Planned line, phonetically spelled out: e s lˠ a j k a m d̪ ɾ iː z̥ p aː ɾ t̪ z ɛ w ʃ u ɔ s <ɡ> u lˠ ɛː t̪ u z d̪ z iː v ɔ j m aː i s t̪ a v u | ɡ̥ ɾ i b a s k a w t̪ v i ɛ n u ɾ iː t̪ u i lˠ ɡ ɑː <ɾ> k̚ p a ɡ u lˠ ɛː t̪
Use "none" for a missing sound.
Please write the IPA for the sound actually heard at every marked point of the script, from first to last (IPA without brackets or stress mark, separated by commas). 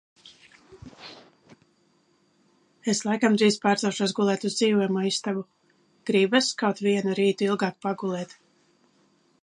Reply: ɡ, none